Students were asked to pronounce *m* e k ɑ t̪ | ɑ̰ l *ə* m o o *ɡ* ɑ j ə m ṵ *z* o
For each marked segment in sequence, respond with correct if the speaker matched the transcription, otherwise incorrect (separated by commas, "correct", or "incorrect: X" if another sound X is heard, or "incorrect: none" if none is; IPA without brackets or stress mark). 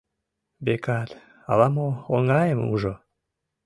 incorrect: b, incorrect: ɑ, incorrect: ŋ, incorrect: ʒ